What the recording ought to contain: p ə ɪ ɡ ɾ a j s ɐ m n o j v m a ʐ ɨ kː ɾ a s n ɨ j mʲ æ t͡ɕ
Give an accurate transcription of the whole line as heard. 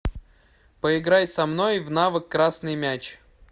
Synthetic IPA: p ə ɪ ɡ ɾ a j s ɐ m n o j v n a v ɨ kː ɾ a s n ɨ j mʲ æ t͡ɕ